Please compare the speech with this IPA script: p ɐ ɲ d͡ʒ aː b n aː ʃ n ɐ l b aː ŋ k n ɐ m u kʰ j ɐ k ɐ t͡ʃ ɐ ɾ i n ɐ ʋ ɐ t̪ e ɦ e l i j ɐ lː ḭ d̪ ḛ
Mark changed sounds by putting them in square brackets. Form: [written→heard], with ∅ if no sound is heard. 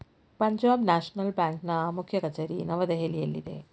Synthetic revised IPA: p ɐ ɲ d͡ʒ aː b n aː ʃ n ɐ l b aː ŋ k n ɐ m u kʰ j ɐ k ɐ t͡ʃ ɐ ɾ i n ɐ ʋ ɐ [t̪→d̪] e ɦ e l i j ɐ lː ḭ d̪ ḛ